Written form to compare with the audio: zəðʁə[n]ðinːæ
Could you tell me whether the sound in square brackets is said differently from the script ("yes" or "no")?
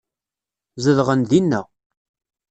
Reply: no